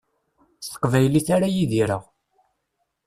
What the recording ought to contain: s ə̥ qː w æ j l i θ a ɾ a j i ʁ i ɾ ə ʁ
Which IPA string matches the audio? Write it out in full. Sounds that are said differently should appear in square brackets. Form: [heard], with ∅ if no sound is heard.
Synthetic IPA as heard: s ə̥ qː [v] æ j l i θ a ɾ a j i [ð] i ɾ ə ʁ